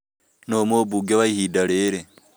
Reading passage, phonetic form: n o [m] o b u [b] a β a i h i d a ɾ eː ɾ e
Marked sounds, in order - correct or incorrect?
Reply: correct, incorrect: ɡ

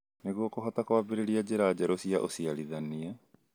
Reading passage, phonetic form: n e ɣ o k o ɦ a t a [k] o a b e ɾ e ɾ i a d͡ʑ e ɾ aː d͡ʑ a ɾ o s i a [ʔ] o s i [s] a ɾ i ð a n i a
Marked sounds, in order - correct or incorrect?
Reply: correct, correct, incorrect: none

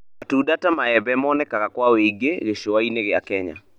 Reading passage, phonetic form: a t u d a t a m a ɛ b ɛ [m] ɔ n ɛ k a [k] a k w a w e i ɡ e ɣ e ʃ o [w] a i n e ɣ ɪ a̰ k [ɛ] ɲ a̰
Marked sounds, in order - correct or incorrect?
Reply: correct, correct, correct, correct

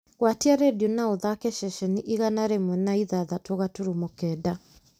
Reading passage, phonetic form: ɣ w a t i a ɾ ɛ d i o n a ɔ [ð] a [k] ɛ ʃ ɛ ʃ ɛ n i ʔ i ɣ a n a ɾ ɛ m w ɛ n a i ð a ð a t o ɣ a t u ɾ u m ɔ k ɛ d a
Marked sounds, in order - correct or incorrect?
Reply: correct, correct

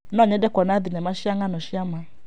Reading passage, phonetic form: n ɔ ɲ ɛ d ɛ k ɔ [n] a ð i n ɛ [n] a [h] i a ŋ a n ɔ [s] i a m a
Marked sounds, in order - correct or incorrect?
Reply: correct, incorrect: m, incorrect: ʃ, incorrect: ʃ

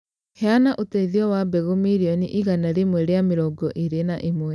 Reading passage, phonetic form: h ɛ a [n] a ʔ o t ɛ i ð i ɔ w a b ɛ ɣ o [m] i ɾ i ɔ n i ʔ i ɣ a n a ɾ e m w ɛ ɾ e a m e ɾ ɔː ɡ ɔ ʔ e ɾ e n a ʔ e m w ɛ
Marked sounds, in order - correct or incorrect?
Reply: correct, correct

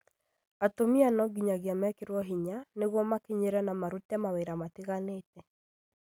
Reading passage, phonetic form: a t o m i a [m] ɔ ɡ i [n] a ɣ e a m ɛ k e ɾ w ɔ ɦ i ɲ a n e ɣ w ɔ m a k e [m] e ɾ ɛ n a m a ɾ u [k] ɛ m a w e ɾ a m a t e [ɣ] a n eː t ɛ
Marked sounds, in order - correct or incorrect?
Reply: incorrect: n, incorrect: ɲ, incorrect: ɲ, incorrect: t, correct

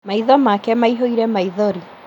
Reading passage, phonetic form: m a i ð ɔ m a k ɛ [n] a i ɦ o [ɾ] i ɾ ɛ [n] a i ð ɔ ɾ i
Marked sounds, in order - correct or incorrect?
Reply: incorrect: m, incorrect: none, incorrect: m

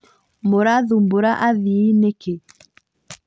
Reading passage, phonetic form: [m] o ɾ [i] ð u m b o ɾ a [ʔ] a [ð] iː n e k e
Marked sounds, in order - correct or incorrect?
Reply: correct, incorrect: a, correct, correct

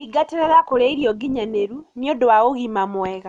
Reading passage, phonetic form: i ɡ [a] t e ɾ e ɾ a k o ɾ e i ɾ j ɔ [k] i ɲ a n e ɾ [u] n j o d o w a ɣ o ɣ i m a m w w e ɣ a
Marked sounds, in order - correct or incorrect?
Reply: correct, incorrect: ɡ, correct

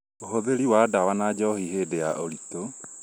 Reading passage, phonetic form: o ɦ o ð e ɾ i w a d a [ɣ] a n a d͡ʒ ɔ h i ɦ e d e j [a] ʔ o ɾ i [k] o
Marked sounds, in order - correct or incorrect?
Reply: incorrect: w, correct, incorrect: t

